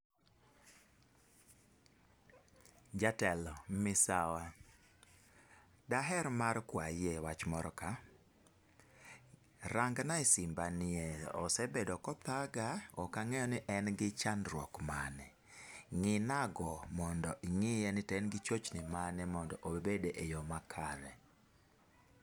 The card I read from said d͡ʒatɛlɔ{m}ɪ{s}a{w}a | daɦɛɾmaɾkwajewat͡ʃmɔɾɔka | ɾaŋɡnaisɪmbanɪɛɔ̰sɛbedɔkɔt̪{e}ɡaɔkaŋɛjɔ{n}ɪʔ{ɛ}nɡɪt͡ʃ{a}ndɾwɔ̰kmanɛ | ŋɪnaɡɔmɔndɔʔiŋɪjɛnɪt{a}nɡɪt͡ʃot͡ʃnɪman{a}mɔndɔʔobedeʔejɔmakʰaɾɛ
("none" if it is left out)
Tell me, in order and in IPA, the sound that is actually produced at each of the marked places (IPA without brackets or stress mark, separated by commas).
m, s, w, a, n, ɛ, a, ɛ, ɛ